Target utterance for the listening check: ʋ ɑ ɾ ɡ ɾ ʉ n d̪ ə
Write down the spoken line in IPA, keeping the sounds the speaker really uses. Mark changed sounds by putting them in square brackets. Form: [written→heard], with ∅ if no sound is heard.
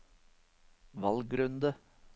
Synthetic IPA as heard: ʋ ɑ [ɾ→l] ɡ ɾ ʉ n d̪ ə